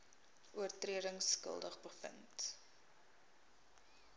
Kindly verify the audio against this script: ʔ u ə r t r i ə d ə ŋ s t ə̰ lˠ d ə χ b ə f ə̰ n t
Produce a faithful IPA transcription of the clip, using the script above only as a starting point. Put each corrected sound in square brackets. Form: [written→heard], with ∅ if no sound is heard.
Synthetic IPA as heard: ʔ u ə r t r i ə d ə ŋ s [t→k] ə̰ lˠ d ə χ b ə f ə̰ n t